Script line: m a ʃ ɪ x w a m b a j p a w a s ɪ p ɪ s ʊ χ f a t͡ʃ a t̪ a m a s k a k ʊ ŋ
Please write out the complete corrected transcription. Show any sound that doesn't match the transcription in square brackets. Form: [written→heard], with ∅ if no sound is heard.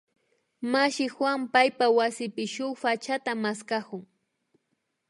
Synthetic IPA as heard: m a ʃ ɪ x w a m [b→p] a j p a w a s ɪ p ɪ [s→ʃ] ʊ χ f a t͡ʃ a t̪ a m a s k a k ʊ ŋ

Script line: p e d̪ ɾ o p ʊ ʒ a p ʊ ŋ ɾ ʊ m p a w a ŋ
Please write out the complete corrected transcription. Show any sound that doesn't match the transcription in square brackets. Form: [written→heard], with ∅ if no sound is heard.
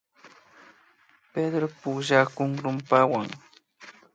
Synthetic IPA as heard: p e d̪ ɾ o p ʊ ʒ a [p→k] ʊ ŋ ɾ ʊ m p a w a ŋ

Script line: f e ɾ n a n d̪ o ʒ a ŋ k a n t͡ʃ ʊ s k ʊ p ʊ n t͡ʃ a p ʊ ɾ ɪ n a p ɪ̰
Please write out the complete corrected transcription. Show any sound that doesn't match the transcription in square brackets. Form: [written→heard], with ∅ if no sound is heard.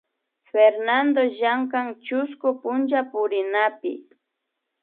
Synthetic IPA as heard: f e ɾ n a n d̪ o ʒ a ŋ k a [n→ŋ] t͡ʃ ʊ s k ʊ p ʊ n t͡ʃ a p ʊ ɾ ɪ n a p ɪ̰

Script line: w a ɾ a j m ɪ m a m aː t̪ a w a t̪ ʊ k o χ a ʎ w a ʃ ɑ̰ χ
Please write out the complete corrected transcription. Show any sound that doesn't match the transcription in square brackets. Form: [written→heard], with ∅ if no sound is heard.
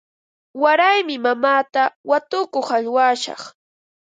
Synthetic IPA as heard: w a ɾ a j m ɪ m a m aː t̪ a w a t̪ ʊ k o χ a ʎ w a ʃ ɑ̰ χ

